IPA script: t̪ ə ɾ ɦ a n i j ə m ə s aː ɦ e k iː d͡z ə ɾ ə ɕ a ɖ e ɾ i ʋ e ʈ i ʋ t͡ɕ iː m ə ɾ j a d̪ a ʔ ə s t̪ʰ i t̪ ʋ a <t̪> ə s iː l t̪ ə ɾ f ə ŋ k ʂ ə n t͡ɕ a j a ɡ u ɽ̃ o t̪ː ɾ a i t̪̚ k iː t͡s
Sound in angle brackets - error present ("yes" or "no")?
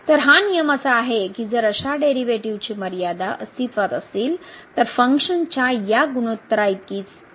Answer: no